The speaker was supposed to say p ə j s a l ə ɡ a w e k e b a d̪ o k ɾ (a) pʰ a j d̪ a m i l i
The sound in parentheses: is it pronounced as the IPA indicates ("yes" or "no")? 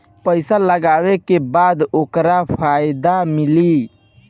yes